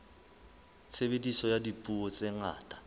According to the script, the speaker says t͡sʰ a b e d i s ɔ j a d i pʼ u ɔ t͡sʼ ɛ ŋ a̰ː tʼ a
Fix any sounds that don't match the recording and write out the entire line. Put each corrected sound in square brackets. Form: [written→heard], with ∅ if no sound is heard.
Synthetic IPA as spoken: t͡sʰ [a→e] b e d i s ɔ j a d i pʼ u ɔ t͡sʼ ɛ ŋ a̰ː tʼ a